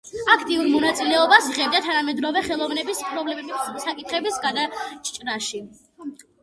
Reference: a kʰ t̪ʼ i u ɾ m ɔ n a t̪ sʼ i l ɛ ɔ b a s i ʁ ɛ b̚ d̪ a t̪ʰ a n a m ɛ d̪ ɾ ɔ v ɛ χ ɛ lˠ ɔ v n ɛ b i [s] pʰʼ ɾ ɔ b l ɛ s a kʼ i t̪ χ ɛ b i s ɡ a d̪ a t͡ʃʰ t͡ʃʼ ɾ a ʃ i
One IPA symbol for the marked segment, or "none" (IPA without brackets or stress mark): s